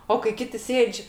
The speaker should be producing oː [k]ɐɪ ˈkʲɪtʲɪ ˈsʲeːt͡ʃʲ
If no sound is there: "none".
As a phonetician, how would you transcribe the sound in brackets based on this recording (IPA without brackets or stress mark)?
k